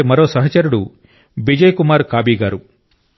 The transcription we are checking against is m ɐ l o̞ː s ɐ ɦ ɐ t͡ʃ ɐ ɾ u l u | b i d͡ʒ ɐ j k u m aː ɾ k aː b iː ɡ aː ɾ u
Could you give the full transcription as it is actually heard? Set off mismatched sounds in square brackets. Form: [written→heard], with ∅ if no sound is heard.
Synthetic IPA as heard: m ɐ [l→ɾ] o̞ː s ɐ ɦ ɐ t͡ʃ ɐ ɾ u [l→ɽ] u | b i d͡ʒ ɐ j k u m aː ɾ k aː b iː ɡ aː ɾ u